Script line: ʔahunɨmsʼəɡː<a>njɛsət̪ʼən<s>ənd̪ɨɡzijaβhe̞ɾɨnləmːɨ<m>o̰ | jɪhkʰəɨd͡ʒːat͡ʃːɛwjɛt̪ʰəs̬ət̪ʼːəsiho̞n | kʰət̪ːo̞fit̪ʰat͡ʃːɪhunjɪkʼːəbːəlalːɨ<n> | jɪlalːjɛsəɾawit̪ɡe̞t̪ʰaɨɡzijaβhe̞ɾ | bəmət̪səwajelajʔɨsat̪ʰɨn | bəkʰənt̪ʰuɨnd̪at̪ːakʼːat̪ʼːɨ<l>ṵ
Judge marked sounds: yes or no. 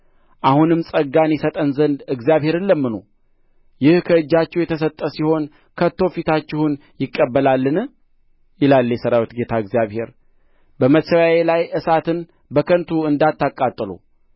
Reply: yes, no, no, yes, yes

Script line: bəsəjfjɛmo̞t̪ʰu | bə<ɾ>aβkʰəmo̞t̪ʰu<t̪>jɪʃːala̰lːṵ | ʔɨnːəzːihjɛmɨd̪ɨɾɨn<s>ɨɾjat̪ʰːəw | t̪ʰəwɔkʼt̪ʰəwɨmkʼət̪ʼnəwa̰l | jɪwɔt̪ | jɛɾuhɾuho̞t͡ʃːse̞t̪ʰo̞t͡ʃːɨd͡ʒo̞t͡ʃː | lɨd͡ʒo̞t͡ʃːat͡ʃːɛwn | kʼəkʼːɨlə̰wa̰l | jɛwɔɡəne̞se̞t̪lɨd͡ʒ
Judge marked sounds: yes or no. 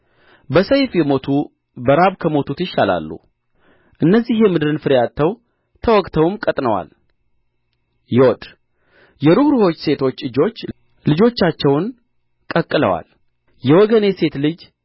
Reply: yes, yes, no

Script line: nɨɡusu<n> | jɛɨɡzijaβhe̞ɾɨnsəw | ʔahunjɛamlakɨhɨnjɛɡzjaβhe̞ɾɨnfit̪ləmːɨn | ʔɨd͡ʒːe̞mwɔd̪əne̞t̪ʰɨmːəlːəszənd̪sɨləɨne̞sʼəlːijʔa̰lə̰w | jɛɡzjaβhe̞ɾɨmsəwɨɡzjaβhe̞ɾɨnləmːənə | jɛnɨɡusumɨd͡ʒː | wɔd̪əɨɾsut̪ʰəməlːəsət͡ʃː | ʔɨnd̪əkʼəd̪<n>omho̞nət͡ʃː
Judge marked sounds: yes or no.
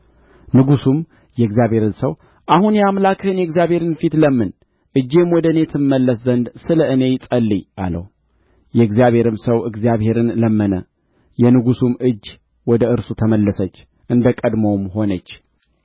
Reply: no, no

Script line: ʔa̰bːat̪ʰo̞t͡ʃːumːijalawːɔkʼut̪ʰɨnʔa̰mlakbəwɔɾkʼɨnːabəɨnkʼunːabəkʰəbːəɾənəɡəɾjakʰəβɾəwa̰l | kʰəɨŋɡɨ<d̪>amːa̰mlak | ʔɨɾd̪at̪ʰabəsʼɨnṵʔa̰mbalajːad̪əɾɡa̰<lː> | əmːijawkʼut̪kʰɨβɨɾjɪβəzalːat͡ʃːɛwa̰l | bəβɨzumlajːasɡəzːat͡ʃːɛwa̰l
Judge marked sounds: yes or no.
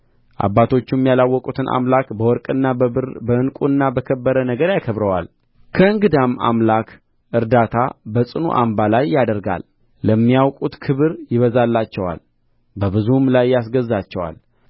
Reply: yes, yes

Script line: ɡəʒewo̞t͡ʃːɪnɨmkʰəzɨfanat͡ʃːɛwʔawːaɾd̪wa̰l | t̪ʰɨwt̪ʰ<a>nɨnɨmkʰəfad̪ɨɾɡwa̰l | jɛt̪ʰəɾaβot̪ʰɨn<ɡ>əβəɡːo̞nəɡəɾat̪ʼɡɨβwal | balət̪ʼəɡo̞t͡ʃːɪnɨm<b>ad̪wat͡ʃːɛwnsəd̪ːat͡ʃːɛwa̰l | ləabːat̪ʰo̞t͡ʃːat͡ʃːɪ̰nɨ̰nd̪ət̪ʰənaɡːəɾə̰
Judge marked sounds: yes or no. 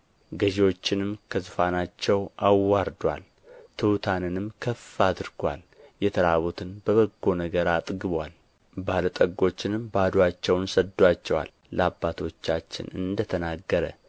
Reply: yes, no, yes

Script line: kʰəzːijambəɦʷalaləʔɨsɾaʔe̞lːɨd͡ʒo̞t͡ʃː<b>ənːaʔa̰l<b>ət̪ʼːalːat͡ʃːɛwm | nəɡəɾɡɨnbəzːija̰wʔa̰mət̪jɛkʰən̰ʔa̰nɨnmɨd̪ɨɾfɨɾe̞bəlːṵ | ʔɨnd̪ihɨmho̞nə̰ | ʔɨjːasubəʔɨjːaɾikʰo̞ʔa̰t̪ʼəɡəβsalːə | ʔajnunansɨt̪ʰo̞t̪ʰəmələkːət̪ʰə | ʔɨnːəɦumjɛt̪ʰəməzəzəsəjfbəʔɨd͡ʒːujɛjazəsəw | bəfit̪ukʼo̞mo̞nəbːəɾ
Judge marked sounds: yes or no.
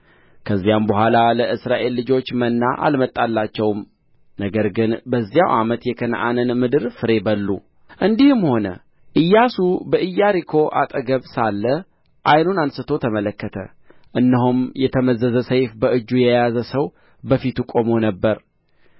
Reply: no, no

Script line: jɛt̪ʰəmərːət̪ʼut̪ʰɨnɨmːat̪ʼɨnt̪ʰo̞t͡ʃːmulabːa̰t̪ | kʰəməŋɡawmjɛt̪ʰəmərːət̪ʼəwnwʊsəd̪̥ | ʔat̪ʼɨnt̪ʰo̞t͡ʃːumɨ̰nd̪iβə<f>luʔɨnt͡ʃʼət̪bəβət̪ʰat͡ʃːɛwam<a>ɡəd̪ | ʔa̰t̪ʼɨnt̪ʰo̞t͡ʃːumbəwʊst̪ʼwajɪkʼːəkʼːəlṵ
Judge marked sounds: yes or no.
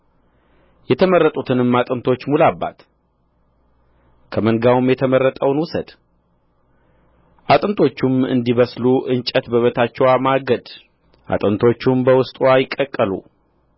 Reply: no, yes

